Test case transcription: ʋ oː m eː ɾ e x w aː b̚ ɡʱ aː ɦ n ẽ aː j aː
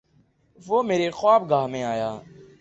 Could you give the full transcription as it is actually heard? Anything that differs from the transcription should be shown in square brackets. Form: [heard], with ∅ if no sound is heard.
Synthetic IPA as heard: ʋ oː m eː ɾ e x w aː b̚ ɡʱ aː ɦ [m] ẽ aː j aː